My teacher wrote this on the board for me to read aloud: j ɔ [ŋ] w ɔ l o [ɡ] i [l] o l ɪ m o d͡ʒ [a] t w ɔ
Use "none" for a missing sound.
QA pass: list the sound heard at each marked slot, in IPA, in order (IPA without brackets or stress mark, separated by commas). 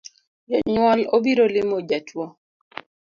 ɲ, b, ɾ, a